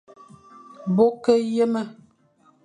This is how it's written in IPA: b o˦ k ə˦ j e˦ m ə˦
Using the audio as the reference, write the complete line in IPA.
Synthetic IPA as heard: b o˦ k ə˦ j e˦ m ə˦